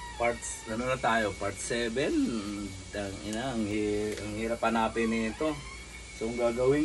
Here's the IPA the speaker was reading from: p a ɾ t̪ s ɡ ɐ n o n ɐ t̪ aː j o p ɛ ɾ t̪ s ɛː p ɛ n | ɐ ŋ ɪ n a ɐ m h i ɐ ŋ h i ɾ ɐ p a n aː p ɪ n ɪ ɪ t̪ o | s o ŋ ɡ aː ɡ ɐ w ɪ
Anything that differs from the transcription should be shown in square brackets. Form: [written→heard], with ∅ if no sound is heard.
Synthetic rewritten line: p a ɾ t̪ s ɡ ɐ n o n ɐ t̪ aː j o p [ɛ→a] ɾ t̪ s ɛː [p→b] ɛ n | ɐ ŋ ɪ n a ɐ [m→ŋ] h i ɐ ŋ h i ɾ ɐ p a n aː p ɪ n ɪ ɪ t̪ o | s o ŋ ɡ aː ɡ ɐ w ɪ